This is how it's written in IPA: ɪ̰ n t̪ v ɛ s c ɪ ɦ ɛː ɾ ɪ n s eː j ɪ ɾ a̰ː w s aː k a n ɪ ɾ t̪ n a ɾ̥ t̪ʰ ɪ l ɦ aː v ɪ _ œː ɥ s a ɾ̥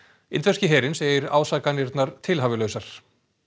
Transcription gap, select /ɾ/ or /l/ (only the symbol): l